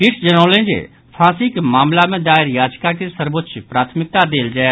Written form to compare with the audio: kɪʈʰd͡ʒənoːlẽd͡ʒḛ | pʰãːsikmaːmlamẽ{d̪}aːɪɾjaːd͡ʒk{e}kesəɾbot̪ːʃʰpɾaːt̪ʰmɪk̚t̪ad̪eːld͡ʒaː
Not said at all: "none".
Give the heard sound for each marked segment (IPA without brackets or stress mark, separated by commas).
d̪, a